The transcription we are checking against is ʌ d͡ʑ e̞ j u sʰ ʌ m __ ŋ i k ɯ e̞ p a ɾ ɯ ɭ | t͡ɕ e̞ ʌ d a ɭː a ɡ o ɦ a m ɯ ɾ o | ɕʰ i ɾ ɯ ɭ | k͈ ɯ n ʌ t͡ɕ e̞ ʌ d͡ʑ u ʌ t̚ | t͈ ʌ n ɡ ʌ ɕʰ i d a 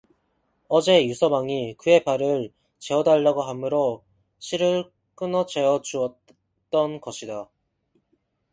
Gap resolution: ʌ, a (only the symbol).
a